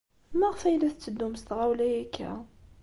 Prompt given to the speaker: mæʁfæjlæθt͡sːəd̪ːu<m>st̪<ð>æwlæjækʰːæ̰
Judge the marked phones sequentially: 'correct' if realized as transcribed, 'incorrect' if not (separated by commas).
correct, incorrect